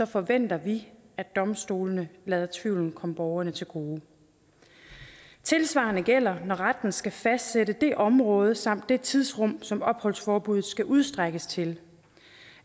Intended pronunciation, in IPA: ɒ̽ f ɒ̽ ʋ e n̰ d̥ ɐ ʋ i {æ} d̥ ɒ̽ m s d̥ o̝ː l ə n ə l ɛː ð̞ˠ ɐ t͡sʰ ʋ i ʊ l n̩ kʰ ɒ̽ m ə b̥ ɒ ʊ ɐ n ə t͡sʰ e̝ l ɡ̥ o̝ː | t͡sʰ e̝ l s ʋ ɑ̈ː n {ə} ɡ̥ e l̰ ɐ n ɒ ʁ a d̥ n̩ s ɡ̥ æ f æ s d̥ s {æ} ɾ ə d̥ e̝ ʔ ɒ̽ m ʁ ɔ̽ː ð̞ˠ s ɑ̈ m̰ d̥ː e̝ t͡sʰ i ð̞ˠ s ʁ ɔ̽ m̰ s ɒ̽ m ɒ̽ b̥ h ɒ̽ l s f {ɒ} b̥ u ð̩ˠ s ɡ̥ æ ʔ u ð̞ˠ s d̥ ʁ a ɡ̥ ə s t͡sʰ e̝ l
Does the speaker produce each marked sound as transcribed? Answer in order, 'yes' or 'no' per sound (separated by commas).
yes, yes, no, no